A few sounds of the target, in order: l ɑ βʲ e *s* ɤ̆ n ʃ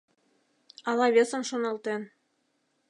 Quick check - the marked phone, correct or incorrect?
correct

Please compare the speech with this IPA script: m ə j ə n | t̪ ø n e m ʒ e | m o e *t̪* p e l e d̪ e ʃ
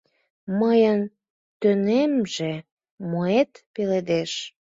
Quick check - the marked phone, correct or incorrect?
correct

